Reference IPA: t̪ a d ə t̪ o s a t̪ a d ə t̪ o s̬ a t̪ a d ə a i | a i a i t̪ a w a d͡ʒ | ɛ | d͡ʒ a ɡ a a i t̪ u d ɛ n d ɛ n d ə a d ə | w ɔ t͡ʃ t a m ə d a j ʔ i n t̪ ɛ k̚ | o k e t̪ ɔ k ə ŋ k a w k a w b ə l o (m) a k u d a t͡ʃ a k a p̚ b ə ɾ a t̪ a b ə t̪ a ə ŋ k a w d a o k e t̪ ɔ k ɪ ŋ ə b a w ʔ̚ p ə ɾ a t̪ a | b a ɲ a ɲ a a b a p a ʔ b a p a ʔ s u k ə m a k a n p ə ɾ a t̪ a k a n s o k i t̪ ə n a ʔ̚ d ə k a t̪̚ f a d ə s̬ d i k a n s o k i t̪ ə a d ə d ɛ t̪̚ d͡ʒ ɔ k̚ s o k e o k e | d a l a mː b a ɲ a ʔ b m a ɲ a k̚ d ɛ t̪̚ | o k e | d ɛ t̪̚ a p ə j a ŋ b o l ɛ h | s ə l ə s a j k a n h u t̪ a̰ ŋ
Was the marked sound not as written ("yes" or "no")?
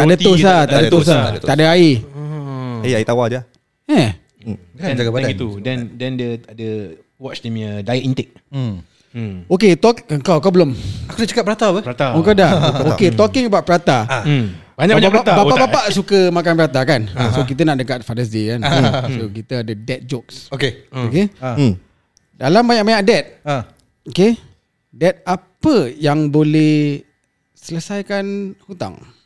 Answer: no